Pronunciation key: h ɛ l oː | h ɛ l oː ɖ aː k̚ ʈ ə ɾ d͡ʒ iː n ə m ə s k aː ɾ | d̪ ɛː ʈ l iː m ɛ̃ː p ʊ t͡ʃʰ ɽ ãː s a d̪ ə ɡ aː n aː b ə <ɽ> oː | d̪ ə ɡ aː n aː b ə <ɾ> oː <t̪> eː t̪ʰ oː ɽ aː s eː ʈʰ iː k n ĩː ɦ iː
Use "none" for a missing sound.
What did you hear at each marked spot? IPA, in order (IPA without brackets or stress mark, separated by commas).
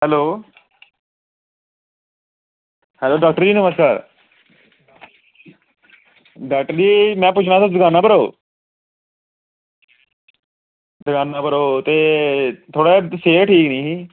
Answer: ɾ, ɾ, t̪